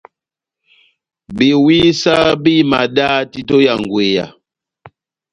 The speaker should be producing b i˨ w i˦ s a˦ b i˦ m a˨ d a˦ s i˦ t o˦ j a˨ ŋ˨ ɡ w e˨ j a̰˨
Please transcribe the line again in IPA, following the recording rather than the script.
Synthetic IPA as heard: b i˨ w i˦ s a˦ b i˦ m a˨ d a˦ t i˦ t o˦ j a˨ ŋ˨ ɡ w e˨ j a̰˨